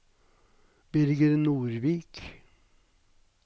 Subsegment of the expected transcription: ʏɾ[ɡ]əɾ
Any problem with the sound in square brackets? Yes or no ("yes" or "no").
no